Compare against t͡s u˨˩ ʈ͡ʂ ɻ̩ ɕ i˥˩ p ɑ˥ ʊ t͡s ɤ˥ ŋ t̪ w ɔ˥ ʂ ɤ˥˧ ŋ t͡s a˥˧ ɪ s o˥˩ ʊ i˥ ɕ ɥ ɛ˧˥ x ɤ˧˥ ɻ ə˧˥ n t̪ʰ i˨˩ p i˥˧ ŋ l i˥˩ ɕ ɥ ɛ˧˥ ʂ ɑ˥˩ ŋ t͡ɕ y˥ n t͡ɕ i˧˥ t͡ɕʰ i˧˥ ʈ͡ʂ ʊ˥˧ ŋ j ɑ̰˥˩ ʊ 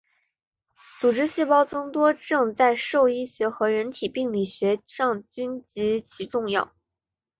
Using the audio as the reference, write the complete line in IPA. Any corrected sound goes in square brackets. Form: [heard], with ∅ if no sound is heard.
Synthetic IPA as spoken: t͡s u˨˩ ʈ͡ʂ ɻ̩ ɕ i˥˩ p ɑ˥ ʊ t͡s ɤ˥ ŋ t̪ w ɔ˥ [ʈ͡ʂ] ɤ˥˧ ŋ t͡s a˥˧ ɪ [ʂ] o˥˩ ʊ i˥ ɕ ɥ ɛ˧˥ x ɤ˧˥ ɻ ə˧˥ n t̪ʰ i˨˩ p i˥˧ ŋ l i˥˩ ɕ ɥ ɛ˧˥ ʂ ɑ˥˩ ŋ t͡ɕ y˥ n t͡ɕ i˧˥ t͡ɕʰ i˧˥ ʈ͡ʂ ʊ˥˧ ŋ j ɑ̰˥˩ ʊ